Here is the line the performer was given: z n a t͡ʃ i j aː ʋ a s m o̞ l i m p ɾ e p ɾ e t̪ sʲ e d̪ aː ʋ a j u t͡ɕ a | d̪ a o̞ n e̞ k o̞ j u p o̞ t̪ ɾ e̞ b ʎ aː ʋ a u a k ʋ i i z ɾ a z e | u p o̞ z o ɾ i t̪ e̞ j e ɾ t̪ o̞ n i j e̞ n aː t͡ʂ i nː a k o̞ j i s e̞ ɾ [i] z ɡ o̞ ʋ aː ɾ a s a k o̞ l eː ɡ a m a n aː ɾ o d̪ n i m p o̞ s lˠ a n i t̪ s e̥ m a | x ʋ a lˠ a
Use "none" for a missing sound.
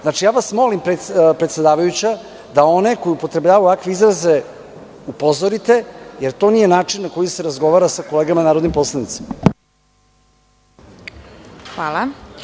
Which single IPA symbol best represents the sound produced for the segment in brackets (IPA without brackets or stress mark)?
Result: a